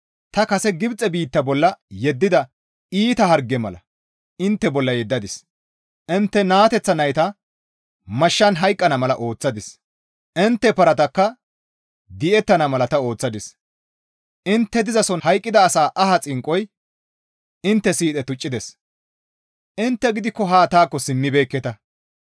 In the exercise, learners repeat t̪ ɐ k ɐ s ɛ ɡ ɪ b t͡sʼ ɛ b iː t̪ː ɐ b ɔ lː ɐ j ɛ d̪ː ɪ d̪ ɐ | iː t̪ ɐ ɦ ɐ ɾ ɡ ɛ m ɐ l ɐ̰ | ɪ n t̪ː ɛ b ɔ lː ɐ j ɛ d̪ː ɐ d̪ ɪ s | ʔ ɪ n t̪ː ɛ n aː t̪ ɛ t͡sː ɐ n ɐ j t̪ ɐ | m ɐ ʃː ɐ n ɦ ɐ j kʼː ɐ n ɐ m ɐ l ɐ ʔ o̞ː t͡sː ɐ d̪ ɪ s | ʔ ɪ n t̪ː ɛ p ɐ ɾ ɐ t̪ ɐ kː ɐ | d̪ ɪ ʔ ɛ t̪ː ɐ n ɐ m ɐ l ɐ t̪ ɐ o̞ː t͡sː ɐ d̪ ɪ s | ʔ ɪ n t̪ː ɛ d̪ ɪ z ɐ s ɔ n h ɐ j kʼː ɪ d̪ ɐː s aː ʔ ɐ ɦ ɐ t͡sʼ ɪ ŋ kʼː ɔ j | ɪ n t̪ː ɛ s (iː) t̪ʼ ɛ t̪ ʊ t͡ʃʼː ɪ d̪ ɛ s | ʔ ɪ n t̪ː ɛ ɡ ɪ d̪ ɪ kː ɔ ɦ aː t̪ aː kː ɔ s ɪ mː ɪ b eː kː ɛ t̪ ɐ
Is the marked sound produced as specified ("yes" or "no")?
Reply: yes